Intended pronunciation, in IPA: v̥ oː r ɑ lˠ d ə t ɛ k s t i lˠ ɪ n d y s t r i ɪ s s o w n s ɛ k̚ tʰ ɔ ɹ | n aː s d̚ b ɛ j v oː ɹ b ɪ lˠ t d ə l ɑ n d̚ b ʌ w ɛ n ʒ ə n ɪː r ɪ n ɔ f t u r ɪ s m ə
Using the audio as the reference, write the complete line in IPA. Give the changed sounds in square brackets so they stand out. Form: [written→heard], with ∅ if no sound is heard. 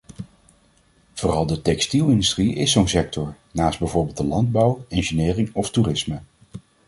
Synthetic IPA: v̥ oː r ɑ lˠ d ə t ɛ k s t i lˠ ɪ n d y s t r i ɪ s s o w n s ɛ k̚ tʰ ɔ ɹ | n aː s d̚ b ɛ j v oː ɹ b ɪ lˠ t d ə l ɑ n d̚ b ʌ w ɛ n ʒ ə n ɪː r ɪ [n→ŋ] ɔ f t u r ɪ s m ə